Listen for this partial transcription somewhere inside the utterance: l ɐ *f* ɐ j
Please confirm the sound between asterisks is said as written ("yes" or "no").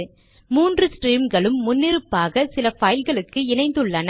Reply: yes